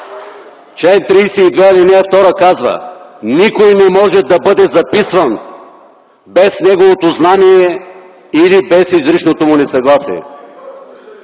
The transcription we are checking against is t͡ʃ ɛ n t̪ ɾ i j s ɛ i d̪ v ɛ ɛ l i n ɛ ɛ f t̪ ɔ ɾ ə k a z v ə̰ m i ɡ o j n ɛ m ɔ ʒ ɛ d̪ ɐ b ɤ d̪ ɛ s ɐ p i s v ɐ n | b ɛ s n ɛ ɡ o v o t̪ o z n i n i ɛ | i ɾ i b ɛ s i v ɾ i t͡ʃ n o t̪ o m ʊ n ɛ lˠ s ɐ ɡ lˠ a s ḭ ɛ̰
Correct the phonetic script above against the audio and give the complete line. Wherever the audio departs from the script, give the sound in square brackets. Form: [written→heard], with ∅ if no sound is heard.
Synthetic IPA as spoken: t͡ʃ ɛ n t̪ ɾ i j s ɛ i d̪ v ɛ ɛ l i n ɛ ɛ f t̪ ɔ ɾ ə k a z v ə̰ [m→n] i [ɡ→k] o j n ɛ m ɔ ʒ ɛ d̪ ɐ b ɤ d̪ ɛ [s→z] ɐ p i s v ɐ n | b ɛ s n ɛ ɡ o v o t̪ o z n [i→a] n i ɛ | i [ɾ→l] i b ɛ s i [v→z] ɾ i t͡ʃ n o t̪ o m ʊ n ɛ [lˠ→∅] s ɐ ɡ lˠ a s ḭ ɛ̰